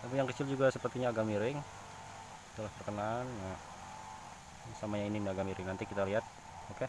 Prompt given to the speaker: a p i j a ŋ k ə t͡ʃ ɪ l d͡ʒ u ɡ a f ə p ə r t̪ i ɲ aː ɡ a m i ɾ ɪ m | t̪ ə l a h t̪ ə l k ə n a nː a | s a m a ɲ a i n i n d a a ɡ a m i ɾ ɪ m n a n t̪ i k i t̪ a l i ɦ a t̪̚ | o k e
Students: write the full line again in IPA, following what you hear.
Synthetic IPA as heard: a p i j a ŋ k ə t͡ʃ ɪ l d͡ʒ u ɡ a s ə p ə r t̪ i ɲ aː ɡ a m i ɾ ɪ ŋ | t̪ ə l a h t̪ ə r k ə n a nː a | s a m a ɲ a i n i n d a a ɡ a m i ɾ ɪ ŋ n a n t̪ i k i t̪ a l i ɦ a t̪̚ | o k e